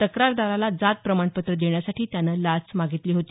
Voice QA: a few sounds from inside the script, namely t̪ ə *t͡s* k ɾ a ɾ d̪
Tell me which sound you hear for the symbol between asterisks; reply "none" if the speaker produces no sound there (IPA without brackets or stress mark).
none